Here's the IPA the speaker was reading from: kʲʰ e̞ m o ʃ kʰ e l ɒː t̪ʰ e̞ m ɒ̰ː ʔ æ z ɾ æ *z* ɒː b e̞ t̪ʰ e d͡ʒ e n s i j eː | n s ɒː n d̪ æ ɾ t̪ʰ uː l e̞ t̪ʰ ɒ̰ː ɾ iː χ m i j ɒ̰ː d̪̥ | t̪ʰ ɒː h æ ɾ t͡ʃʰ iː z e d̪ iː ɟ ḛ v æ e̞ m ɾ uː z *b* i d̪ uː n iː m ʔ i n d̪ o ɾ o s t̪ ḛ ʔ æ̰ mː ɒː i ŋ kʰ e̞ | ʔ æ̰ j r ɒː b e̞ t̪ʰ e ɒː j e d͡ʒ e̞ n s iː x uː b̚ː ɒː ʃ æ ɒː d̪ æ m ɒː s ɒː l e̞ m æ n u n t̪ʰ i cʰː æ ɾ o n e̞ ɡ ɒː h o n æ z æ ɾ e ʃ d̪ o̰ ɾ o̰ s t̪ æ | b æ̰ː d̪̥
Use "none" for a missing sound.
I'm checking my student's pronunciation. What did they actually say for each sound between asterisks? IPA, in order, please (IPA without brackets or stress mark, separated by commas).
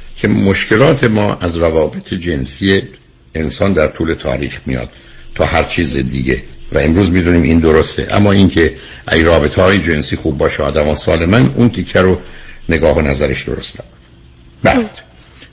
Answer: v, m